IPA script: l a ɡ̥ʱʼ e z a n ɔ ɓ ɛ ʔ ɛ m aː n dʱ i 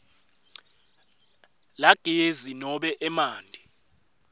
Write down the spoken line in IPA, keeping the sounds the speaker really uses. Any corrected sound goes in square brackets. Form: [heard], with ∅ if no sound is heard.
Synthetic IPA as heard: l a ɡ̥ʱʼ e z [i] n ɔ ɓ ɛ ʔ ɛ m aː n dʱ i